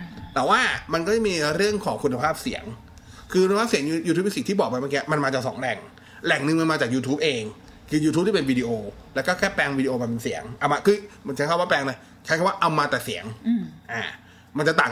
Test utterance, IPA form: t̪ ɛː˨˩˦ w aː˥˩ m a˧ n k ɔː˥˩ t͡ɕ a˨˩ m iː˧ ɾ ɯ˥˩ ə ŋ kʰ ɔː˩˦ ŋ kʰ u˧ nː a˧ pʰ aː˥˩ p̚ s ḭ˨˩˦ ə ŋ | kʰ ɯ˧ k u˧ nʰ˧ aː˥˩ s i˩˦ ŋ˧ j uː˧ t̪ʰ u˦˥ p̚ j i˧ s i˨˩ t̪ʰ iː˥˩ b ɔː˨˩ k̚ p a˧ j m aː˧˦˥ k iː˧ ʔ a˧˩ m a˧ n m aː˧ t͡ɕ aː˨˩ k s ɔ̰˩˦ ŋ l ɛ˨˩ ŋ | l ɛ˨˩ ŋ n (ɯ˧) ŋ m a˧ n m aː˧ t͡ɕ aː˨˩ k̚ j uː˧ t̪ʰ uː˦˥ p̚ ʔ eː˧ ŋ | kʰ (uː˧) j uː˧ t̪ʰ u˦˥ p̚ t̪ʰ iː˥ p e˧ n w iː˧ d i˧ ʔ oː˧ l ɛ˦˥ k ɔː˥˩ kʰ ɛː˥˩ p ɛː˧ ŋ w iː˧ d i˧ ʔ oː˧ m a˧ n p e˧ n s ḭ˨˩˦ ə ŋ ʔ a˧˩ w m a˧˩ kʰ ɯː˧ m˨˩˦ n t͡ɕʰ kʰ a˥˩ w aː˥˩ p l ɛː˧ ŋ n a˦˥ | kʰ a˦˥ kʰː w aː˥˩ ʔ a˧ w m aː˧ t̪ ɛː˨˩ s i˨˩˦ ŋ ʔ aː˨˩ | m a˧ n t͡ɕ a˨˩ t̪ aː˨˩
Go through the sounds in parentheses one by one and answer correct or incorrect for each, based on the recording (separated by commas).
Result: correct, incorrect